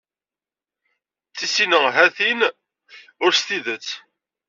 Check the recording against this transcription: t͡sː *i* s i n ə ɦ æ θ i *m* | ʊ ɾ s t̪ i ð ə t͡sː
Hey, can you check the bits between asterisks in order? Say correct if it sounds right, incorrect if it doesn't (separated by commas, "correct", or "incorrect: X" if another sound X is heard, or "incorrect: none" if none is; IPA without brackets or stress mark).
correct, incorrect: n